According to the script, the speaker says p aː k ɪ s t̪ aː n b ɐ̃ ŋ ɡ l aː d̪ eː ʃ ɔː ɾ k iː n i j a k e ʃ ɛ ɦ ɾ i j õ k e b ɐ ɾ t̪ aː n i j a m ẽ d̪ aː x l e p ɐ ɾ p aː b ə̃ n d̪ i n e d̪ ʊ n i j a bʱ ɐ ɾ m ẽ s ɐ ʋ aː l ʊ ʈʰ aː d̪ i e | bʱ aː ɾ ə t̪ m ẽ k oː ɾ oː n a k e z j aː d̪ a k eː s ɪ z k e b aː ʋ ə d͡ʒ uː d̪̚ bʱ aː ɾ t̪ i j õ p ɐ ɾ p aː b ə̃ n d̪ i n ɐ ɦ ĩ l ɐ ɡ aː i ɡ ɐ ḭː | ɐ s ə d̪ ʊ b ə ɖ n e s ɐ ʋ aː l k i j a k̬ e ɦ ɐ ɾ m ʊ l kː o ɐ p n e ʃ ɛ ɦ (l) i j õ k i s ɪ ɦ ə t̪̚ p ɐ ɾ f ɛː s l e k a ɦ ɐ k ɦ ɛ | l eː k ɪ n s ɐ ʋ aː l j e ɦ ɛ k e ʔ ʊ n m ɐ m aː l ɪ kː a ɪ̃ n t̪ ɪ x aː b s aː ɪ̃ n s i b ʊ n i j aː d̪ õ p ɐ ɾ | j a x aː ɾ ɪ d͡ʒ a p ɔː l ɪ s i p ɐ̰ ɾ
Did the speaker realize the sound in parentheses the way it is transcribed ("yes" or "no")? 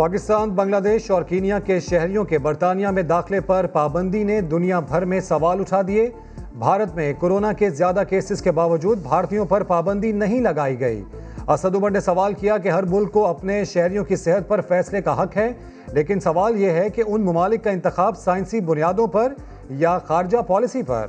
no